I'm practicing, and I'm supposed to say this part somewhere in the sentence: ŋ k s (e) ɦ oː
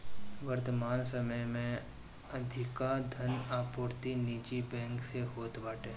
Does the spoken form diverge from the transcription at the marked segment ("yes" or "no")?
no